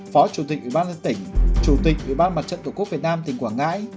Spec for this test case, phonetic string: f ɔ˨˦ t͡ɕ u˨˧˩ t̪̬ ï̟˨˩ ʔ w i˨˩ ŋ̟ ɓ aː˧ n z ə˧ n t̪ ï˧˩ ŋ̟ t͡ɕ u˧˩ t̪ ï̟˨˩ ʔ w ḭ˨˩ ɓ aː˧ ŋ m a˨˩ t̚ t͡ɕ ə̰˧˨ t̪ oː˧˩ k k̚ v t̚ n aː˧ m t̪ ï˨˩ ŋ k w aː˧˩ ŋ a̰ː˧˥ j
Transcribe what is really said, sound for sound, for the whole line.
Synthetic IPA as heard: f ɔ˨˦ t͡ɕ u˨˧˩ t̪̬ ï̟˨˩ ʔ w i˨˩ ɓ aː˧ n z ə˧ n t̪ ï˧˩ ŋ̟ t͡ɕ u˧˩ t̪ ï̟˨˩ ʔ w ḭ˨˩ ɓ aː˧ n m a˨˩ t̚ t͡ɕ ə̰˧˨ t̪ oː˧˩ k k̚ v t̚ n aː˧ m t̪ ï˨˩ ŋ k w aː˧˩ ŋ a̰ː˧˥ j